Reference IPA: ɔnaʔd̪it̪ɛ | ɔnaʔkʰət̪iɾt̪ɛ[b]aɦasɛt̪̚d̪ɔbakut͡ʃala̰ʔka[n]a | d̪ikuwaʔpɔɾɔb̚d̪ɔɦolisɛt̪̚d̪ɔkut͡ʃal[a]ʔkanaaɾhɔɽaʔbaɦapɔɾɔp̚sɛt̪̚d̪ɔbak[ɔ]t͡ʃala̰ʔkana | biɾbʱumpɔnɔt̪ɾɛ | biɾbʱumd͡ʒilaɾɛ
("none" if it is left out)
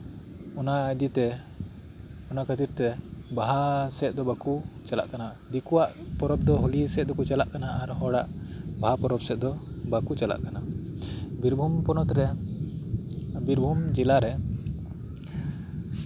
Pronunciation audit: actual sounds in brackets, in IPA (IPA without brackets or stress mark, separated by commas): b, n, a, u